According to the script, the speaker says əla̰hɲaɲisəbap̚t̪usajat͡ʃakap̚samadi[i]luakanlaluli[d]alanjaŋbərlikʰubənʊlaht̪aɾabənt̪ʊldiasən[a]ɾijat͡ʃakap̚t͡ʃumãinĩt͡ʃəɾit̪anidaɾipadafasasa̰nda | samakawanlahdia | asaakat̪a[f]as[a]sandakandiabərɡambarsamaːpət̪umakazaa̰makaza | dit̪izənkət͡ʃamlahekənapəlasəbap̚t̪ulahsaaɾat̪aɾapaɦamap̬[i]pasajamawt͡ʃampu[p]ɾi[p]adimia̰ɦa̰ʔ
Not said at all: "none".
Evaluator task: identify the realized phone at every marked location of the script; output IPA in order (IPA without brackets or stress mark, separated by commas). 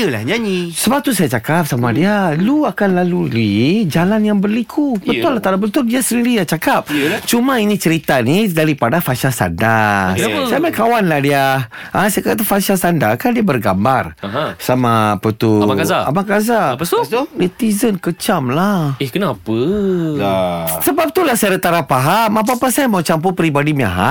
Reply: a, d͡ʒ, i, f, a, a, p, b